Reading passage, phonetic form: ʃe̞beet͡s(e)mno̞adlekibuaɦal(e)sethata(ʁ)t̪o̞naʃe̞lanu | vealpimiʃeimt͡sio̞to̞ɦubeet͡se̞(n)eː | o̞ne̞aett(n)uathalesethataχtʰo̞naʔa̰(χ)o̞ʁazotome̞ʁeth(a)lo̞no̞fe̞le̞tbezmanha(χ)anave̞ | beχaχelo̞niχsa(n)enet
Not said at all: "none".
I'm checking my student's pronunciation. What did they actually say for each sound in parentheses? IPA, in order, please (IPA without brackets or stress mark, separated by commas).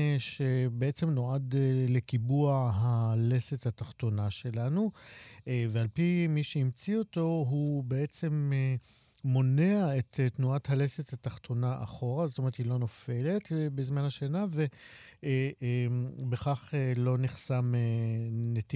e, e, χ, m, n, χ, i, ʃ, m